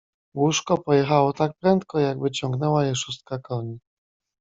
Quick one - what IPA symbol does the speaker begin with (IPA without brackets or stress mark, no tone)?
w